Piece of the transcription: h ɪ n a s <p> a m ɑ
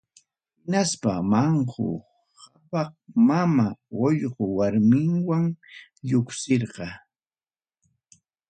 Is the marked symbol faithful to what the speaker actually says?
yes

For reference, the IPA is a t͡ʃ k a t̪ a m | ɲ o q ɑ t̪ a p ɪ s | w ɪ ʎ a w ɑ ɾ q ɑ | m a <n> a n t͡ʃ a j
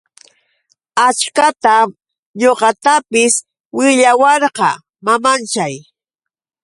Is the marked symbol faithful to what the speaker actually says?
no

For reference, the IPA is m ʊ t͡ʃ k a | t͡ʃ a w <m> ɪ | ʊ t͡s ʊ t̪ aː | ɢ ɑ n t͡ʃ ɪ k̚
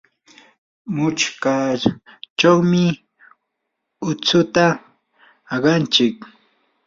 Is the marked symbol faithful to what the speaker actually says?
yes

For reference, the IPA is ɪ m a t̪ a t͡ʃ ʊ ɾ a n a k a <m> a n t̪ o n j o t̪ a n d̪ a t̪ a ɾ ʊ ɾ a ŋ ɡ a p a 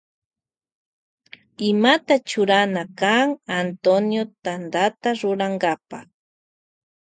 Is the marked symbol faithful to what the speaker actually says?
no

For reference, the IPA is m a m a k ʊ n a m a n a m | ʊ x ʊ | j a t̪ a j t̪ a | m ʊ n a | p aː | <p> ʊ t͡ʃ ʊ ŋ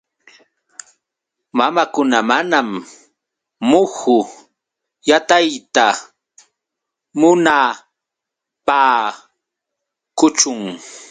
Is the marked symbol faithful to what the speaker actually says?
no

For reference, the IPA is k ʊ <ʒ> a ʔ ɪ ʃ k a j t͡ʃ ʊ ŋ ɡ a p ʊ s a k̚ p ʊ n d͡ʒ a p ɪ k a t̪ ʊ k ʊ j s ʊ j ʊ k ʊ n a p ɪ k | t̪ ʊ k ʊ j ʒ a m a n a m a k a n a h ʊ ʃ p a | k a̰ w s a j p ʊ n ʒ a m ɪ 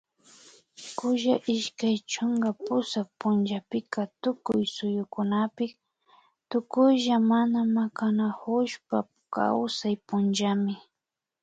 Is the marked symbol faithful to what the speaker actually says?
yes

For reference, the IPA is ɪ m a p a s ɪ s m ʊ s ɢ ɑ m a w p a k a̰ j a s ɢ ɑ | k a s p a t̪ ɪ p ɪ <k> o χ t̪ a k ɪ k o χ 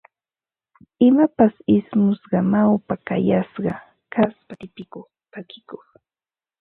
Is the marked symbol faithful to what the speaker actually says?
yes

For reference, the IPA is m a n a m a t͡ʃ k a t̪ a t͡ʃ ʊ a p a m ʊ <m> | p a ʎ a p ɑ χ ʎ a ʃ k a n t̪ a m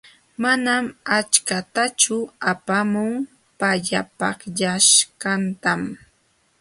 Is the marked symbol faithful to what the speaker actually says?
no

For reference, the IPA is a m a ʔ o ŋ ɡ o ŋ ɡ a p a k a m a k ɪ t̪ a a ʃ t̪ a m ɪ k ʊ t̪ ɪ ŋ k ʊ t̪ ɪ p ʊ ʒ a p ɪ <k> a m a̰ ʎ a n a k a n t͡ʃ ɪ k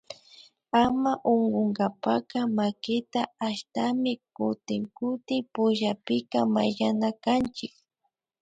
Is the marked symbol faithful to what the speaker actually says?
yes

